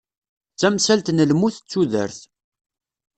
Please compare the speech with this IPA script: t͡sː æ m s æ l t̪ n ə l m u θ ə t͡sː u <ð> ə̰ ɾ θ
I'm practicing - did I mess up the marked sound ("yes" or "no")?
no